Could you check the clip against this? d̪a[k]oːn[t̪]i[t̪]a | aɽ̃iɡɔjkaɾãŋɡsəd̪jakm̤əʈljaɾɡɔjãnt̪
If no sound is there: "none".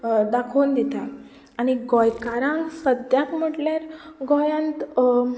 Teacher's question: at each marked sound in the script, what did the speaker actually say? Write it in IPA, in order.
kʰ, d̪, t̪

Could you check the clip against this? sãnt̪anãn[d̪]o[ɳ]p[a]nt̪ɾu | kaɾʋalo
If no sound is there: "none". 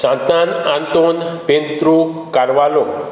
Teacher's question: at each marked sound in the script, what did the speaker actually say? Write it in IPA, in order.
t̪, n, e

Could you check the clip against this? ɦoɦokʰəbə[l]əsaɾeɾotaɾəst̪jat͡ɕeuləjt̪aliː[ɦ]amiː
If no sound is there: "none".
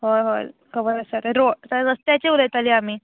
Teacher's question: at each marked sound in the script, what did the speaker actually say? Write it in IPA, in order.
ɾ, none

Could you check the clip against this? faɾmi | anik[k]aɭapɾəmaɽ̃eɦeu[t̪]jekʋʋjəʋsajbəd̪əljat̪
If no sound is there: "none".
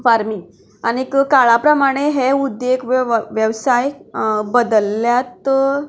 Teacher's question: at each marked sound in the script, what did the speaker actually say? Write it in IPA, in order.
k, d̪

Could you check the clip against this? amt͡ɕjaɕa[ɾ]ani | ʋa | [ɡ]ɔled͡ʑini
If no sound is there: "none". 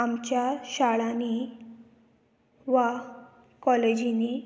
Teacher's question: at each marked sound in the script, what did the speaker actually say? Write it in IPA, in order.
ɭ, k

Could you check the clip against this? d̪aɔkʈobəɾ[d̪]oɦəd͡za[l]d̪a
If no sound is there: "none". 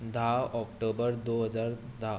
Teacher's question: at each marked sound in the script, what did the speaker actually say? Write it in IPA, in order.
d̪, ɾ

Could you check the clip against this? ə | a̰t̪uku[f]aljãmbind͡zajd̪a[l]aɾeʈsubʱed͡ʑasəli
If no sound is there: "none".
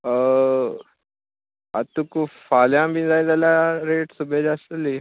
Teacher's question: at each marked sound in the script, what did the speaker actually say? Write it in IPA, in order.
f, l

